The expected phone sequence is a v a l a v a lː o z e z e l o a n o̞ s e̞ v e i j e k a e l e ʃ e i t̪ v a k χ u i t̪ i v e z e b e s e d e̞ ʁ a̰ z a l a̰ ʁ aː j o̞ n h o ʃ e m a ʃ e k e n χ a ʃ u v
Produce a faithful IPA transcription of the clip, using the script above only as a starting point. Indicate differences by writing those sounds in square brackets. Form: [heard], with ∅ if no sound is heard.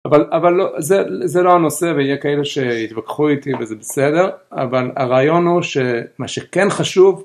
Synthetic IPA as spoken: a v a l a v a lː o z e z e l o a n o̞ s e̞ v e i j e k a e l e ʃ e i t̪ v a k χ u i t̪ i v e z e b e s e d e̞ ʁ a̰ [v] a l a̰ ʁ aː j o̞ n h [u] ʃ e m a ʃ e k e n χ a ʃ u v